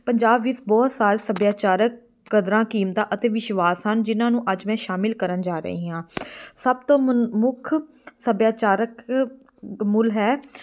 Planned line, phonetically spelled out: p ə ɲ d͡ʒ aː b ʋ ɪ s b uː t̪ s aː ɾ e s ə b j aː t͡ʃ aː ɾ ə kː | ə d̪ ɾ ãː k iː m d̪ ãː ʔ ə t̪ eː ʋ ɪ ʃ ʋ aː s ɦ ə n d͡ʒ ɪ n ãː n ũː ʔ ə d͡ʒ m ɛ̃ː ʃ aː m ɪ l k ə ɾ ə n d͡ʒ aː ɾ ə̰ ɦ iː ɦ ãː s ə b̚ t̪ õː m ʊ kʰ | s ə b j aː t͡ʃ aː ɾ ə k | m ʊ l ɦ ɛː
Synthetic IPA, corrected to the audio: p ə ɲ d͡ʒ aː b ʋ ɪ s b ɔː t̪ s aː ɾ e s ə b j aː t͡ʃ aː ɾ ə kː | ə d̪ ɾ ãː k iː m t̪ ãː ʔ ə t̪ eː ʋ ɪ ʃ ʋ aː s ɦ ə n d͡ʒ ɪ n ãː n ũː ʔ ə d͡ʒ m ɛ̃ː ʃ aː m ɪ l k ə ɾ ə n d͡ʒ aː ɾ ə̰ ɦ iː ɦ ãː s ə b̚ t̪ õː m ʊ kʰ | s ə b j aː t͡ʃ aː ɾ ə k | m ʊ l ɦ ɛː